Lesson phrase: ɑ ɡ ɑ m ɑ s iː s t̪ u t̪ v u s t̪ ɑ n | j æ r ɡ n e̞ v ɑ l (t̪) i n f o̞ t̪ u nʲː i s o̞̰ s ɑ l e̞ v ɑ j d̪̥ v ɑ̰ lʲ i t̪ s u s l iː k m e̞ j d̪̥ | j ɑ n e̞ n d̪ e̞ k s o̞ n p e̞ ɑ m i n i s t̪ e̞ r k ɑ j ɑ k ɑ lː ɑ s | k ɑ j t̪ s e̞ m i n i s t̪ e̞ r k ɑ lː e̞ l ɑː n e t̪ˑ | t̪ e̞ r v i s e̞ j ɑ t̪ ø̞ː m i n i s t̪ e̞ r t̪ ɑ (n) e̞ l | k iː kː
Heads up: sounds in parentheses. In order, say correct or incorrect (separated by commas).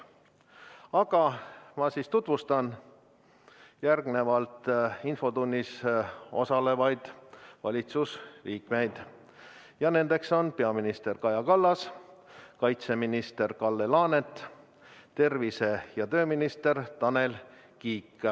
correct, correct